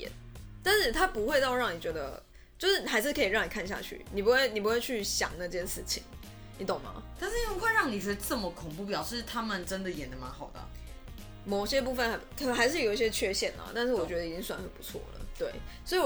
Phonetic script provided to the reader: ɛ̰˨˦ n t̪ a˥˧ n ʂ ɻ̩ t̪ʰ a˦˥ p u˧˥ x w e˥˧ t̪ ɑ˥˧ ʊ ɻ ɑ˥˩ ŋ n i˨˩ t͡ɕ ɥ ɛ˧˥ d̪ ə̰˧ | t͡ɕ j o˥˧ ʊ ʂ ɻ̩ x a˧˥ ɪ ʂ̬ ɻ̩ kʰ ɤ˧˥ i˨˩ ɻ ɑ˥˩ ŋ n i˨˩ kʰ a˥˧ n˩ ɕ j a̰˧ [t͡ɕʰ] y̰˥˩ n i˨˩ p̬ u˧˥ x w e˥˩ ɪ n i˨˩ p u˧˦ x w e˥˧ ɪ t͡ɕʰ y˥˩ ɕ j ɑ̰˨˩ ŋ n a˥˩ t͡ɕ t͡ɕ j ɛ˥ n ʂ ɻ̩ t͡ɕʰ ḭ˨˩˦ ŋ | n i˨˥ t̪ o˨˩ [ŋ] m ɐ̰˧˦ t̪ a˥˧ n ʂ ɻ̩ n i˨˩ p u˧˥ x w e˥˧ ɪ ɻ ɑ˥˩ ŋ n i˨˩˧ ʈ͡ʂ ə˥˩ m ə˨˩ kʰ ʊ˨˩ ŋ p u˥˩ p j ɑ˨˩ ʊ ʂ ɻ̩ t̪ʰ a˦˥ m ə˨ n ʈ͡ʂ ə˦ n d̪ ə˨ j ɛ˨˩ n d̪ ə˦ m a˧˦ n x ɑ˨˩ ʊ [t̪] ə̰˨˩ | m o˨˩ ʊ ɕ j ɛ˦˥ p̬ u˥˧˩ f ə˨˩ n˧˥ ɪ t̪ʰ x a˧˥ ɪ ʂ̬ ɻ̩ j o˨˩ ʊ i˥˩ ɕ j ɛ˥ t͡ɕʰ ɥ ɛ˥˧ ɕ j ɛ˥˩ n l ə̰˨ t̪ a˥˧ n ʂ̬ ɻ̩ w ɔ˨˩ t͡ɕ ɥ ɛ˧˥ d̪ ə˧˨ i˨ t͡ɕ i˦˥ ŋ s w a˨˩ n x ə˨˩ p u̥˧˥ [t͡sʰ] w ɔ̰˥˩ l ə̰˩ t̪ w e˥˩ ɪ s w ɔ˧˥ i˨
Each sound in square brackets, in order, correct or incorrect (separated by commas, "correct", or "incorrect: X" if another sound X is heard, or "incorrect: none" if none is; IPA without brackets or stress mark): correct, correct, incorrect: d̪, correct